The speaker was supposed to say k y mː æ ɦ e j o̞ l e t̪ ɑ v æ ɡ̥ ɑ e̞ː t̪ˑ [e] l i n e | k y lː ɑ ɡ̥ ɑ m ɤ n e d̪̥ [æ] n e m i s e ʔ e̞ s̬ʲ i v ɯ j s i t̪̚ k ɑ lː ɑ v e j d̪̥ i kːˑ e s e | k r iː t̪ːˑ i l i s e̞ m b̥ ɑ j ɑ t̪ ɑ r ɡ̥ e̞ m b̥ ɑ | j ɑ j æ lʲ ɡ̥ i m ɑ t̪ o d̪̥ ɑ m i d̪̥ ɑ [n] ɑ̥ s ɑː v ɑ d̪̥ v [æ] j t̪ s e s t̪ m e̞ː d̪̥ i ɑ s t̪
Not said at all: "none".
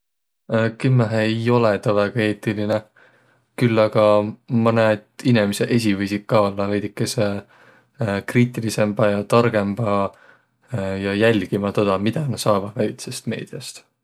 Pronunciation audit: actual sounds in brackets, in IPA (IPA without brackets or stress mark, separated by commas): i, i, n, æ